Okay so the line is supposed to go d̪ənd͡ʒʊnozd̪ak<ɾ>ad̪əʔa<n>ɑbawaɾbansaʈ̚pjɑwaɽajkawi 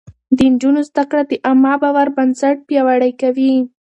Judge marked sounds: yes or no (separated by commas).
no, no